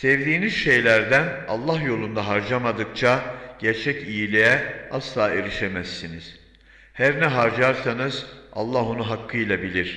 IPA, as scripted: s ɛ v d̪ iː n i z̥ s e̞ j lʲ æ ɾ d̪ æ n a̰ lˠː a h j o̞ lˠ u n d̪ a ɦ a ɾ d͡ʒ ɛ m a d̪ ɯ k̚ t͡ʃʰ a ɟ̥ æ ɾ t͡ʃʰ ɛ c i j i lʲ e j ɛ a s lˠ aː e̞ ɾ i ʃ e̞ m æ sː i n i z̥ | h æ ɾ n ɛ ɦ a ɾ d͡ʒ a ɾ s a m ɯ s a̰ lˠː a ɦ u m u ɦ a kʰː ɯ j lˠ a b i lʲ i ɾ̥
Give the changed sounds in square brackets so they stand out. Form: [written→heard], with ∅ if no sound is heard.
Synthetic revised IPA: s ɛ v d̪ iː n i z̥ [s→ʃ] e̞ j lʲ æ ɾ d̪ æ n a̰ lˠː a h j o̞ lˠ u n d̪ a ɦ a ɾ d͡ʒ [ɛ→a] m a d̪ ɯ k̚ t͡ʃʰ a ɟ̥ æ ɾ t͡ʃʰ ɛ c i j i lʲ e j ɛ a s lˠ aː e̞ ɾ i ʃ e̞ m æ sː i n i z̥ | h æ ɾ n ɛ ɦ a ɾ d͡ʒ a ɾ s a [m→n] ɯ [s→z] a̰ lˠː a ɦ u [m→n] u ɦ a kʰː ɯ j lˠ a b i lʲ i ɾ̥